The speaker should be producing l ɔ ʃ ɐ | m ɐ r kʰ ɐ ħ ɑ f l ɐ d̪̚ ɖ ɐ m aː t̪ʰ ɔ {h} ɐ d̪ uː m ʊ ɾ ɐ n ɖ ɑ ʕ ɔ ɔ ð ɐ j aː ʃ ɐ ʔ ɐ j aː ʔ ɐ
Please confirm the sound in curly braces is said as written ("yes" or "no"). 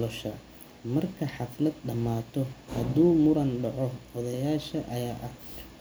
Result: yes